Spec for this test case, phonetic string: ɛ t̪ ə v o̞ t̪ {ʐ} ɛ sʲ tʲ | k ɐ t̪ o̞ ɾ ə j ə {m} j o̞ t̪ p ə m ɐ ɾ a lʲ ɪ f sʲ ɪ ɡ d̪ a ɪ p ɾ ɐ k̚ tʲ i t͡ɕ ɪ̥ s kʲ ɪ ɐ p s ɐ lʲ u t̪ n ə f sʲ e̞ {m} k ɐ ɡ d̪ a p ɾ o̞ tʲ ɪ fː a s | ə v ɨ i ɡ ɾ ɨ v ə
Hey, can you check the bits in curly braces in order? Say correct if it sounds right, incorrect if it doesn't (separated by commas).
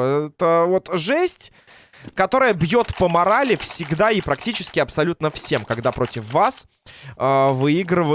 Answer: correct, incorrect, correct